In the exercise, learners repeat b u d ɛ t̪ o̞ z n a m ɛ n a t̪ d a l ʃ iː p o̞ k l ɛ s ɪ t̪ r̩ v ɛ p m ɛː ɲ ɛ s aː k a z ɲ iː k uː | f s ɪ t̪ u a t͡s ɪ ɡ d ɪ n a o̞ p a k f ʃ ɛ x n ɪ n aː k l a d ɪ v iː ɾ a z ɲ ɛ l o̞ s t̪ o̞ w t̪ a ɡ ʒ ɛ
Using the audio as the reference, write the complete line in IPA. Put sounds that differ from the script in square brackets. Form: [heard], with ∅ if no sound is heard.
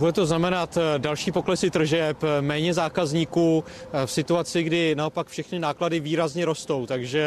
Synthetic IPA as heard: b u d ɛ t̪ o̞ z n a m ɛ n a t̪ d a l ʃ iː p o̞ k l ɛ s ɪ t̪ r̩ [ʒ] ɛ p m ɛː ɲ ɛ [z] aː k a z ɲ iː k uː | f s ɪ t̪ u a t͡s ɪ ɡ d ɪ n a o̞ p a k f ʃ ɛ x n ɪ n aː k l a d ɪ v iː ɾ a z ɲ ɛ [ɾ] o̞ s t̪ o̞ w t̪ a ɡ ʒ ɛ